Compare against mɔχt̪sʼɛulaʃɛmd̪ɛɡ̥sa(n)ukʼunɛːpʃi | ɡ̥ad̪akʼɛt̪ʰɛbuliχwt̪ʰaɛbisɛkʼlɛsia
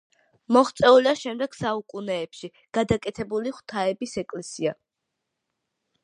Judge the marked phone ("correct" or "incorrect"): incorrect